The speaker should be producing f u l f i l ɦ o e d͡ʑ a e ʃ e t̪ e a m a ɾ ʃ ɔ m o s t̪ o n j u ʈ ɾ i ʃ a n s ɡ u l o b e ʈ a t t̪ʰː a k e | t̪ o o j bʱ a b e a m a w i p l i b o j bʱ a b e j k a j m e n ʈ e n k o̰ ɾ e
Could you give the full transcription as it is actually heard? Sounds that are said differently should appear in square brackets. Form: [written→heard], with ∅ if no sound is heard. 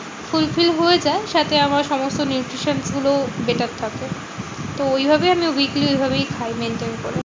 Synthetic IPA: f u l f i l ɦ o e d͡ʑ a e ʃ [e→a] t̪ e a m a ɾ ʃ ɔ m o s t̪ o n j u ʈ ɾ i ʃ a n s ɡ u l o b e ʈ a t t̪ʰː a k e | t̪ o o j bʱ a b e a m [a→i] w i [p→k] l i [b→∅] o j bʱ a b e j [k→kʰ] a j m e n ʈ e n k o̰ ɾ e